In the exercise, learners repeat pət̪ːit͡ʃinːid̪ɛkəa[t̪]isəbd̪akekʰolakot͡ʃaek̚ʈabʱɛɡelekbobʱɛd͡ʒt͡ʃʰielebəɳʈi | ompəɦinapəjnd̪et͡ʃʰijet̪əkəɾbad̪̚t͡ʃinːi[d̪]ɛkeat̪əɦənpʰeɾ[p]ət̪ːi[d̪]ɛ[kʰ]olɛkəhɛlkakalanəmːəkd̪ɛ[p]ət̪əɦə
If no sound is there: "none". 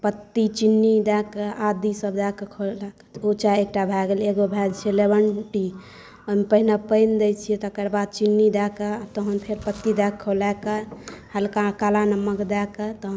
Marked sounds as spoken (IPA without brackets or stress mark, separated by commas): d̪, d̪, p, d̪, kʰ, k